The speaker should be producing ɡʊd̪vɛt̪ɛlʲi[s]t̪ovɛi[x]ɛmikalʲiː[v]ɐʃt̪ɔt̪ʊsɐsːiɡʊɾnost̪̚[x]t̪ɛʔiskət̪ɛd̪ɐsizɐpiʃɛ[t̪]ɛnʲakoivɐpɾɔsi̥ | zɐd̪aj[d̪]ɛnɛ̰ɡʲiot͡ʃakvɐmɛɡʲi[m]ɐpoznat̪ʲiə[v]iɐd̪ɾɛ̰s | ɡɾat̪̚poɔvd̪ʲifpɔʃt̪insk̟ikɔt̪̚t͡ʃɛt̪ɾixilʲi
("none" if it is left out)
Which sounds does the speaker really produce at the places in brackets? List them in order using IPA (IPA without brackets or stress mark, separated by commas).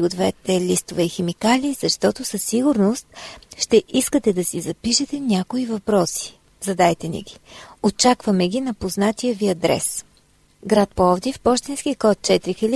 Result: s, x, z, ʃ, t̪, t̪, n, v